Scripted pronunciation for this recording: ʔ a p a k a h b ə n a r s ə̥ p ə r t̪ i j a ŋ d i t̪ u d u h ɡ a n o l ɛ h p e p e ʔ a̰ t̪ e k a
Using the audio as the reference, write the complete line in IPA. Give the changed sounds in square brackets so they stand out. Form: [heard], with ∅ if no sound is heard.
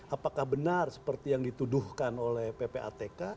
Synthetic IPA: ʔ a p a k a h b ə n a r s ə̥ p ə r t̪ i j a ŋ d i t̪ u d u h [k] a n o l ɛ h p e p e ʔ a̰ t̪ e k a